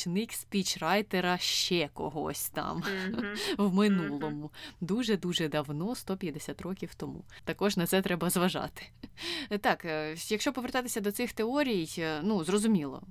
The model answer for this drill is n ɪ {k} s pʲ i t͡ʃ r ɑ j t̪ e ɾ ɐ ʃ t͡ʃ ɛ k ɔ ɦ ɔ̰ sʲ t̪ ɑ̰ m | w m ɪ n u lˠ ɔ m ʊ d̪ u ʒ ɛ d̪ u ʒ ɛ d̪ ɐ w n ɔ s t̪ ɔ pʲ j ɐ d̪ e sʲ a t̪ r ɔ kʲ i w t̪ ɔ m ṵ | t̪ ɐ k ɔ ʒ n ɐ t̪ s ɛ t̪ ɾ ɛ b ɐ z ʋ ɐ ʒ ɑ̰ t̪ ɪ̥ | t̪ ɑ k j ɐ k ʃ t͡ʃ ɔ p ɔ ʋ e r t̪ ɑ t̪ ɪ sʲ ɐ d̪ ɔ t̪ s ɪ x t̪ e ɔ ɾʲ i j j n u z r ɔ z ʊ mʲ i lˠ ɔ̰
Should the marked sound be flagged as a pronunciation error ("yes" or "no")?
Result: no